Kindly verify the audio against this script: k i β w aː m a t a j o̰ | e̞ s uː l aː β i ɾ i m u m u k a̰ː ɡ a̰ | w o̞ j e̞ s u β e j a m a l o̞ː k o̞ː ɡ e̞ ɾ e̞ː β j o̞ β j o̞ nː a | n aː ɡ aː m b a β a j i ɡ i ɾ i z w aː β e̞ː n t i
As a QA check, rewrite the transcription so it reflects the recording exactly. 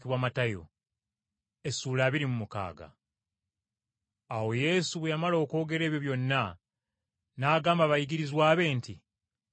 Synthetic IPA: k i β w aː m a t a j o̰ | e̞ s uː l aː β i ɾ i m u m u k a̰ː ɡ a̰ | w o̞ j e̞ s u β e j a m a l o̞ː k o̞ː ɡ e̞ ɾ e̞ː β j o̞ β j o̞ nː a | n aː ɡ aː m b a β a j i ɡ i ɾ i z w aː β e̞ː n t i